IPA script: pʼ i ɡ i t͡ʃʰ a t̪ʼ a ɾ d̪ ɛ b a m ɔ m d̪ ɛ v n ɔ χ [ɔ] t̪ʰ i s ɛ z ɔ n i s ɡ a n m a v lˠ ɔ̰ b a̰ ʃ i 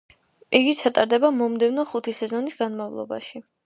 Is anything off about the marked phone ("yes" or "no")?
yes